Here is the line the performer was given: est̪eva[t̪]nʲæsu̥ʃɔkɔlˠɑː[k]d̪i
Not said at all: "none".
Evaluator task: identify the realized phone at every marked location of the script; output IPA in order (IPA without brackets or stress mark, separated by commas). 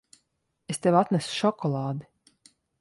t̪, none